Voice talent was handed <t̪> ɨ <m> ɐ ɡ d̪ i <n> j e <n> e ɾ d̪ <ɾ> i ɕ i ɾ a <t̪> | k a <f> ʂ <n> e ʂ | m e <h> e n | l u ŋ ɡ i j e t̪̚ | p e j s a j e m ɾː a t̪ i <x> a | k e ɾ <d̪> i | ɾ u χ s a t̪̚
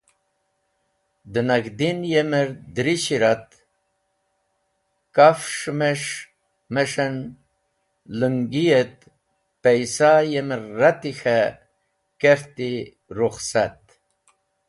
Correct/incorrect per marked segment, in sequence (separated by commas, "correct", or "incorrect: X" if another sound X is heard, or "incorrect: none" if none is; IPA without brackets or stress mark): incorrect: d̪, incorrect: n, correct, incorrect: m, correct, correct, correct, incorrect: m, incorrect: ʂ, correct, incorrect: t̪